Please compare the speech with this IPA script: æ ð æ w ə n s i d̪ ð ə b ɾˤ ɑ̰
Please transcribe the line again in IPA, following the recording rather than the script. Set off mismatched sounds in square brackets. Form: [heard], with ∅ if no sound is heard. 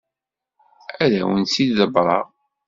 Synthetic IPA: æ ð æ w ə n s i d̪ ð ə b ɾˤ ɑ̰